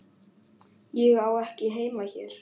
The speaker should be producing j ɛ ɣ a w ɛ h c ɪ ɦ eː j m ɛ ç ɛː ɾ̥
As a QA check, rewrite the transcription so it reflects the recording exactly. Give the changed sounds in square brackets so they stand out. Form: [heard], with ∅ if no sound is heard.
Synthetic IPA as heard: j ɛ ɣ a w ɛ h c ɪ ɦ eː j m [a] ç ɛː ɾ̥